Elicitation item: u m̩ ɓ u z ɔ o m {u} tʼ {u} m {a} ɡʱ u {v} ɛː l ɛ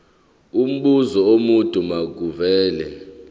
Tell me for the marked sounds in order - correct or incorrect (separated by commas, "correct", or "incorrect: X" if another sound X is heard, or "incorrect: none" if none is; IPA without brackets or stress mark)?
correct, correct, correct, correct